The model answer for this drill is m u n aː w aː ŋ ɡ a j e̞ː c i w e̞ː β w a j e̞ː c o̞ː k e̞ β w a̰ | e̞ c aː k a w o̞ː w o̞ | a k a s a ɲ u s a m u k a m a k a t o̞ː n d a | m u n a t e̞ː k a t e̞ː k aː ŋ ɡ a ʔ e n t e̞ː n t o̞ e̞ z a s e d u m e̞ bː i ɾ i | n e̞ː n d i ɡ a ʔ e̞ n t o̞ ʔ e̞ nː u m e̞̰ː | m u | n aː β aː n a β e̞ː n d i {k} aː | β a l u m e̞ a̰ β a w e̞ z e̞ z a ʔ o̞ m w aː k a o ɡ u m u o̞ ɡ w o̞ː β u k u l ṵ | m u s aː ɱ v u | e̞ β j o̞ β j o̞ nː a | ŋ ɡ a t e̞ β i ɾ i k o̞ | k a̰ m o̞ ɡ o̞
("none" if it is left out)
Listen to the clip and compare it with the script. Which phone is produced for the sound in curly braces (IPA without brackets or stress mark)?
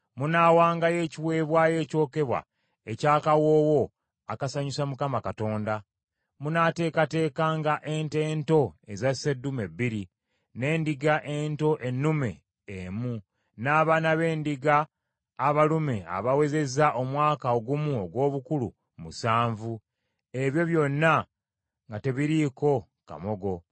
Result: ɡ